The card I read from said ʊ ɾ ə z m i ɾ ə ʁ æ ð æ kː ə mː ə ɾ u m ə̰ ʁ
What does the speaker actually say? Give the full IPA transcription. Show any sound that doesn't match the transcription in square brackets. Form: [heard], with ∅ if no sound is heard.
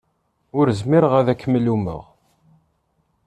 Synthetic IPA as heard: ʊ ɾ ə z m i ɾ ə ʁ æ ð æ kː ə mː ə [l] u m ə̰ ʁ